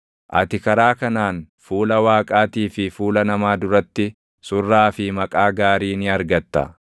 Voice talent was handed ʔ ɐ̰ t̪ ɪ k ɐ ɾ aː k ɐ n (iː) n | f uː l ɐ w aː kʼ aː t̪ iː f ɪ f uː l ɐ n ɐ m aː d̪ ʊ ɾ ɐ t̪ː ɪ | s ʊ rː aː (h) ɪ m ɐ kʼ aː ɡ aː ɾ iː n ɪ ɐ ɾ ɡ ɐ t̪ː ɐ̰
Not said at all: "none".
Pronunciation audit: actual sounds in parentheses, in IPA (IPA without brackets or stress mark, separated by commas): aː, f